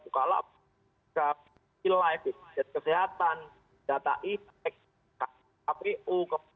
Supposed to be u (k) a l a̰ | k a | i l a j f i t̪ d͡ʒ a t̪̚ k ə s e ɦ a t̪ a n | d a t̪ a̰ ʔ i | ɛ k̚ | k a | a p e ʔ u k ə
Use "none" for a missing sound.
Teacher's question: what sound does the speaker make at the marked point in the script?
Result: k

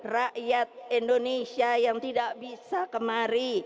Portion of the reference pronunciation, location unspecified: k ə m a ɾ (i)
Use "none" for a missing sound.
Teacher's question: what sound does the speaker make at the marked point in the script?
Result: i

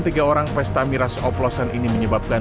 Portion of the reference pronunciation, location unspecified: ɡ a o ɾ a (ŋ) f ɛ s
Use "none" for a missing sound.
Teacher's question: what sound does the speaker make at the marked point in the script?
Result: ŋ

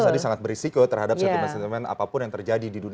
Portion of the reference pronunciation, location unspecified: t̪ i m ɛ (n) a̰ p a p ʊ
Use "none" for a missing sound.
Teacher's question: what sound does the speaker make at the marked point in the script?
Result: n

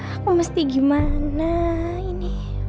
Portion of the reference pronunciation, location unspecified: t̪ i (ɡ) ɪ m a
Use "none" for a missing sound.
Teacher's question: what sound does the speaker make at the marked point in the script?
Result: ɡ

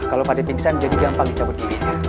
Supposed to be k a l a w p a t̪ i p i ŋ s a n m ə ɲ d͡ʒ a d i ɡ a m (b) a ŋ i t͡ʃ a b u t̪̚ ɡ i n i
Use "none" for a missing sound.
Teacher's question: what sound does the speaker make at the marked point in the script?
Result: p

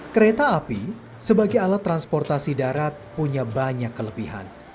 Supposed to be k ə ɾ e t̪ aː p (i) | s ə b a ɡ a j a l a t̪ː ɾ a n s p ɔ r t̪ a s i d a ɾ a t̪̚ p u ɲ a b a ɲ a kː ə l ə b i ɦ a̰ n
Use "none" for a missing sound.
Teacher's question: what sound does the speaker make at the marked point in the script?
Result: i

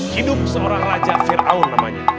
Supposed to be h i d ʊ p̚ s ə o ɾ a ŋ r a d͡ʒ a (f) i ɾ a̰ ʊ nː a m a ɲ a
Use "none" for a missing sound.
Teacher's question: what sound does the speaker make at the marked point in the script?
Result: f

